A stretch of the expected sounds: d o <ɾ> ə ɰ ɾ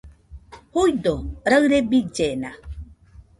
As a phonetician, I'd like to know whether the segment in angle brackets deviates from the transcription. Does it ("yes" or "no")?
no